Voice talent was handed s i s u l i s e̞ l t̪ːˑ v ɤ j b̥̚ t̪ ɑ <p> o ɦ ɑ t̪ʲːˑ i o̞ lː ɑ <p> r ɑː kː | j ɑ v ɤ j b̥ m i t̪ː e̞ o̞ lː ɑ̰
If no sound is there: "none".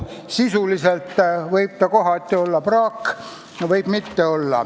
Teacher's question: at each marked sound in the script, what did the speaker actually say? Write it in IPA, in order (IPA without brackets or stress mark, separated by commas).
k, p